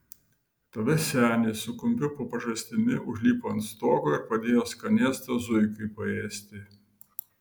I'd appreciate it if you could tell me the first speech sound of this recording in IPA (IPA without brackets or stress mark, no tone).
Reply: t̪